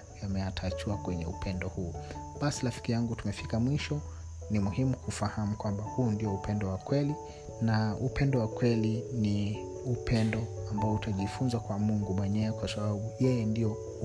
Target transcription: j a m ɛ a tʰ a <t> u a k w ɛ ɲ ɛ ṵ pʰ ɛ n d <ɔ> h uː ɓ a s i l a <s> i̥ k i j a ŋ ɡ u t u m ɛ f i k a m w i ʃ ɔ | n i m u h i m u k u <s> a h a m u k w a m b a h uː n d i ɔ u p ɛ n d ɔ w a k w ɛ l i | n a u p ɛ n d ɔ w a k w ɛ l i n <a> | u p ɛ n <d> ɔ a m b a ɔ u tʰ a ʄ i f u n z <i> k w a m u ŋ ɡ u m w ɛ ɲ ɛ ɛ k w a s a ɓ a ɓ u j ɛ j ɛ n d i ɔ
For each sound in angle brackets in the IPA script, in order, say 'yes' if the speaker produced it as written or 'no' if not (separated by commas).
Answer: no, yes, no, no, no, yes, no